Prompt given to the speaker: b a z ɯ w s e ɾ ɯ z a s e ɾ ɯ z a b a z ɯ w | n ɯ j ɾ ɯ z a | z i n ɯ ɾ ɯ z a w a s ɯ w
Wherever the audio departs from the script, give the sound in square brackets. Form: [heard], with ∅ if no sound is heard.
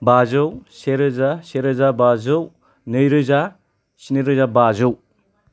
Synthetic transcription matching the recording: b a z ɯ w s e ɾ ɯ z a s e ɾ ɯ z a b a z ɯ w | n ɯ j ɾ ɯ z a | [s] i n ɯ ɾ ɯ z a [b] a [z] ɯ w